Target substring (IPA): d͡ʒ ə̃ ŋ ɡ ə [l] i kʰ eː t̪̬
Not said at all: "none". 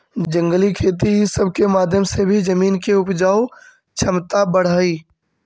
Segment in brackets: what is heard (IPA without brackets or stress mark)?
l